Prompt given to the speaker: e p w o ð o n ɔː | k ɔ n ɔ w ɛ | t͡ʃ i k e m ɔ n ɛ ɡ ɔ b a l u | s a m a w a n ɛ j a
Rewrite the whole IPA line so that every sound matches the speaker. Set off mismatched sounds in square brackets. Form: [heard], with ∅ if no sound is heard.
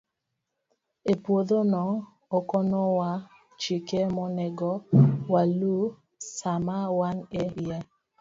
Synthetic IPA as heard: e p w o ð o n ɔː | k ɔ n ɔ w [a] | t͡ʃ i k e m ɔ n ɛ ɡ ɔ [w] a l u | s a m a w a n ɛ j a